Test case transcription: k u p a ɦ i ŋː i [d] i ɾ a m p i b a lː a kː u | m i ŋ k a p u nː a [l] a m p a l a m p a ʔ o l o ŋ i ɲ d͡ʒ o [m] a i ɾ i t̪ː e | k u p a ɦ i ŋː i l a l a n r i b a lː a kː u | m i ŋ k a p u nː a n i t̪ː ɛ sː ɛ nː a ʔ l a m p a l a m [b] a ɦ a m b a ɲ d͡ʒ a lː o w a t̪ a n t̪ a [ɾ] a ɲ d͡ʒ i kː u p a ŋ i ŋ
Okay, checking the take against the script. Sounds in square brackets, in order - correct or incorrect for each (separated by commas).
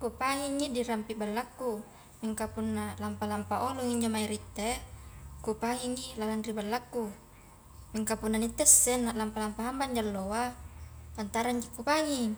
correct, correct, correct, incorrect, correct